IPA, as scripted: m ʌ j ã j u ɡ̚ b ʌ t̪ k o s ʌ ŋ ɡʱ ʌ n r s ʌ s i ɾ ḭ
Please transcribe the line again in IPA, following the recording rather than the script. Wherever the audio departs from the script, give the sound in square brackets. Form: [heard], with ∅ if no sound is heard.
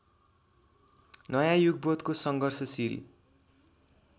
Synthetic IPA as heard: [n] ʌ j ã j u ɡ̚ b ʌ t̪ k o s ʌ ŋ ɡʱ ʌ [∅] r s ʌ s i ɾ ḭ